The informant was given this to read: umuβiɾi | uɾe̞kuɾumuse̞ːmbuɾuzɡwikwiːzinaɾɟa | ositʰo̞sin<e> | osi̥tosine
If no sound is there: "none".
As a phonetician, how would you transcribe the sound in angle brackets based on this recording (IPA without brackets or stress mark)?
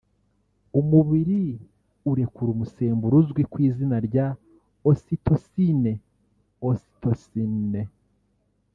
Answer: e